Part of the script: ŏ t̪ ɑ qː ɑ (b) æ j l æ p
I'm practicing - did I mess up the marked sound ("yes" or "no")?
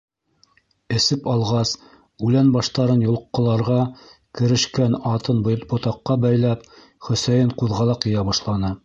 no